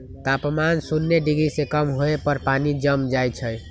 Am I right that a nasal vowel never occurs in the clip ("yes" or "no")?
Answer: yes